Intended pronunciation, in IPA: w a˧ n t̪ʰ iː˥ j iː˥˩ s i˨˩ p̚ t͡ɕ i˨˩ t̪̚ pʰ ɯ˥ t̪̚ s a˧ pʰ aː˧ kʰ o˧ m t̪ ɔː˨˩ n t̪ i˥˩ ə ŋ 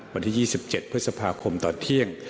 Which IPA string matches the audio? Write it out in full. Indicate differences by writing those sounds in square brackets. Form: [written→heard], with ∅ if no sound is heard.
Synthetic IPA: w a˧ n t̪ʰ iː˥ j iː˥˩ s i˨˩ p̚ t͡ɕ [i˨˩→e˨˩] t̪̚ pʰ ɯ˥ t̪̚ s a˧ pʰ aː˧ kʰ o˧ m t̪ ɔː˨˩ n [t̪→t̪ʰ] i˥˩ ə ŋ